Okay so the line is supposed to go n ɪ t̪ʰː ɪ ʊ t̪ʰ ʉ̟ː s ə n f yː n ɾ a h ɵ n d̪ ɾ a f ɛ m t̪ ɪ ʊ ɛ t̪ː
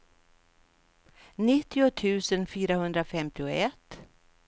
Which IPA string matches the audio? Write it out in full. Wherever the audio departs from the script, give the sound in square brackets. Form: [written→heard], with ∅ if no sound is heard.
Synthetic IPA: n ɪ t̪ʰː ɪ ʊ t̪ʰ ʉ̟ː s ə n f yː [n→∅] ɾ a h ɵ n d̪ ɾ a f ɛ m t̪ ɪ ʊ ɛ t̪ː